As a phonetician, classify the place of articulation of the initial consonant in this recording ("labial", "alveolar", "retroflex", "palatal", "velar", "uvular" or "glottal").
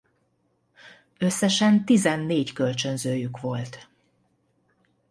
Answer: alveolar